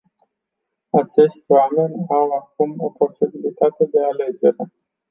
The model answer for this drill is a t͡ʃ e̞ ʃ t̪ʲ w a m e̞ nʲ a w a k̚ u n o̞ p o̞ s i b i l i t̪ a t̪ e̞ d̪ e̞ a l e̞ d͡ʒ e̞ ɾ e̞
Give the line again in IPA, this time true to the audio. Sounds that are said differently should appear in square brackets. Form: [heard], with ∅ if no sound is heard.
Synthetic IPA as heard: a t͡ʃ e̞ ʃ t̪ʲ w a m e̞ nʲ a w a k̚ u [m] o̞ p o̞ s i b i l i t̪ a t̪ e̞ d̪ e̞ a l e̞ d͡ʒ e̞ ɾ e̞

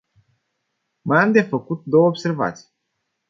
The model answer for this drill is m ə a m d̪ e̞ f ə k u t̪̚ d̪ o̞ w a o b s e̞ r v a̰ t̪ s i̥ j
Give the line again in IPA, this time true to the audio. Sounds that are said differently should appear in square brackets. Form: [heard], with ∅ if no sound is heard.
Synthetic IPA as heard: m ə a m d̪ e̞ f ə k u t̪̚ d̪ o̞ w [ə] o b s e̞ r v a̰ t̪ s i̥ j

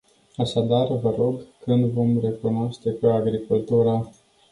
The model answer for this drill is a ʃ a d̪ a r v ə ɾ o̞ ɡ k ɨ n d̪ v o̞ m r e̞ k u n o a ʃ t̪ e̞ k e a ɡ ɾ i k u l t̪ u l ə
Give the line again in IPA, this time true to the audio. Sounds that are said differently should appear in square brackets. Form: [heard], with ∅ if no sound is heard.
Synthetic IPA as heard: a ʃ a d̪ a r v ə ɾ o̞ ɡ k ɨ n d̪ v o̞ m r e̞ k u n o a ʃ t̪ e̞ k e a ɡ ɾ i k u l t̪ u [ɾ] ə

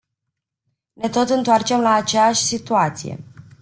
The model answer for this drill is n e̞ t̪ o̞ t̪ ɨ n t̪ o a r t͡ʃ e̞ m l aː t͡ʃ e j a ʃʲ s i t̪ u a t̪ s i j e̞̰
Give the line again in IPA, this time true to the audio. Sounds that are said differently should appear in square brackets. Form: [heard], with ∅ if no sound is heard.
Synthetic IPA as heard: n e̞ t̪ o̞ t̪ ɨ n t̪ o a r t͡ʃ e̞ m l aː t͡ʃ e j a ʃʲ s i t̪ u a t̪ s i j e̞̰

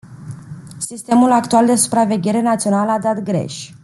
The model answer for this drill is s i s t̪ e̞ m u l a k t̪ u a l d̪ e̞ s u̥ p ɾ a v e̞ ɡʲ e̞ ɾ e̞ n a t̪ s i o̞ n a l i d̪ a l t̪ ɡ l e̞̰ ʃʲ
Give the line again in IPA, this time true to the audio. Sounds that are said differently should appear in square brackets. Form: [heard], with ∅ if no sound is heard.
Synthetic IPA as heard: s i s t̪ e̞ m u l a k t̪ u a l d̪ e̞ s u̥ p ɾ a v e̞ ɡʲ e̞ ɾ e̞ n a t̪ s i o̞ n a l [a] d̪ a [∅] t̪ ɡ [ɾ] e̞̰ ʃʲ

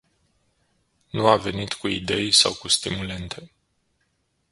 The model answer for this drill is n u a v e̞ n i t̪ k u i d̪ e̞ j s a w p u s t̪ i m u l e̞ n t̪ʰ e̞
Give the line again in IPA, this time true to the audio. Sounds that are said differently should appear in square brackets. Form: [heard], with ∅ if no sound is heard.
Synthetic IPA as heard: n u a v e̞ n i t̪ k u i d̪ e̞ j s a w [k] u s t̪ i m u l e̞ n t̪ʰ e̞

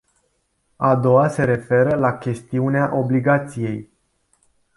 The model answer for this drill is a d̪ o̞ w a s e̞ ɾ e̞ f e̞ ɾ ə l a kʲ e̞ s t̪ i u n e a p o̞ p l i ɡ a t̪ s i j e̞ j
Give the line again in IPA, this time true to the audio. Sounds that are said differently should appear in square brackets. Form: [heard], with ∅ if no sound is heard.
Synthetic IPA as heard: a d̪ o̞ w a s e̞ ɾ e̞ f e̞ ɾ ə l a kʲ e̞ s t̪ i u n e a [ʔ] o̞ [b] l i ɡ a t̪ s i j e̞ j

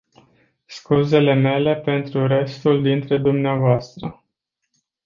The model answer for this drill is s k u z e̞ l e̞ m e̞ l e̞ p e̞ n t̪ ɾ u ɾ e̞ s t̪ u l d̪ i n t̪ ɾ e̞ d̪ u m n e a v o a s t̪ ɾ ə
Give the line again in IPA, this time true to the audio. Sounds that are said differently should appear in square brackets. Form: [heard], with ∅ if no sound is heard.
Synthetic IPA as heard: s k u z e̞ l e̞ m e̞ l e̞ p e̞ n t̪ ɾ u ɾ e̞ s t̪ u l d̪ i n t̪ ɾ e̞ d̪ u m n e a v o a s t̪ ɾ ə

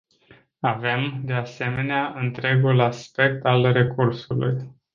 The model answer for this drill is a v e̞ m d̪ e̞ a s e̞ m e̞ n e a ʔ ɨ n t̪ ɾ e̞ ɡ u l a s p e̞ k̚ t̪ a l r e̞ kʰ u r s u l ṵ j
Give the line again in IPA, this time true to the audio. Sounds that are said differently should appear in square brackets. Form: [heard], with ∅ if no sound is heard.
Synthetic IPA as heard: a v e̞ m d̪ e̞ a s e̞ m e̞ n e a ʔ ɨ n t̪ ɾ e̞ ɡ u l a s p e̞ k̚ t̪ a l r e̞ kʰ u r s u l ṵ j

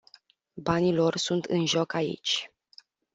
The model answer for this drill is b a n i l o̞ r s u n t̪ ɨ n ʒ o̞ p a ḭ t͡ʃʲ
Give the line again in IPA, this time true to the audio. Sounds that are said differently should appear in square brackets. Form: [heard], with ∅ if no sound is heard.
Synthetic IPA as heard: b a n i l o̞ r s u n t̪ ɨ n ʒ o̞ [k] a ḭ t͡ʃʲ

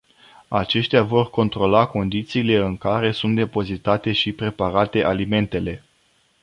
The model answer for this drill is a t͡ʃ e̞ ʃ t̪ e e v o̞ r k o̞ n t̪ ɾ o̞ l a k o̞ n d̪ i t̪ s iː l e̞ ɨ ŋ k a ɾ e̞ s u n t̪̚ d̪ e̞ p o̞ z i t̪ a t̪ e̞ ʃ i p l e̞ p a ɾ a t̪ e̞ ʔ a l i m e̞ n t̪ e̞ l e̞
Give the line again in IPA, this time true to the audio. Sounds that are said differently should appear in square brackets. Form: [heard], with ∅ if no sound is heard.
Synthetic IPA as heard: a t͡ʃ e̞ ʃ t̪ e [a] v o̞ r k o̞ n t̪ ɾ o̞ l a k o̞ n d̪ i t̪ s iː l e̞ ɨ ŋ k a ɾ e̞ s u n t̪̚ d̪ e̞ p o̞ z i t̪ a t̪ e̞ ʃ i p [ɾ] e̞ p a ɾ a t̪ e̞ ʔ a l i m e̞ n t̪ e̞ l e̞

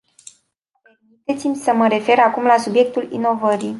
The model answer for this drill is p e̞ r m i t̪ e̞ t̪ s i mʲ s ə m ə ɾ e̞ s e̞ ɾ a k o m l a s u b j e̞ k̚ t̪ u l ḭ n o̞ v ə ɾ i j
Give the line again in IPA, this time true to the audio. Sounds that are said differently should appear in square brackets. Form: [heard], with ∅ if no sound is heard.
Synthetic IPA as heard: p e̞ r m i t̪ e̞ t̪ s i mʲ s ə m ə ɾ e̞ [f] e̞ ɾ a k [u] m l a s u b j e̞ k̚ t̪ u l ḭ n o̞ v ə ɾ i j

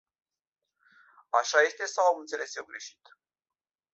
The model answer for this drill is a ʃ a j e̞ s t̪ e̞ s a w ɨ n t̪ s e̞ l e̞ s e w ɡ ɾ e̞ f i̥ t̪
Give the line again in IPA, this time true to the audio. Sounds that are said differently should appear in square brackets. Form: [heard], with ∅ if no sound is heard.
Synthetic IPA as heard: a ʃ a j e̞ s t̪ e̞ s a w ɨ n t̪ s e̞ l e̞ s e w ɡ ɾ e̞ [ʃ] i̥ t̪

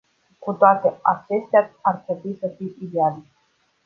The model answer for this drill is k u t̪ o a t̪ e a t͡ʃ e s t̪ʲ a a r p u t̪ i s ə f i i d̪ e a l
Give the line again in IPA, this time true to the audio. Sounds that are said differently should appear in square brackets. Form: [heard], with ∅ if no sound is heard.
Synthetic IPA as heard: k u t̪ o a t̪ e a t͡ʃ e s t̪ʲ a a r p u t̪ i s ə f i i d̪ e a l

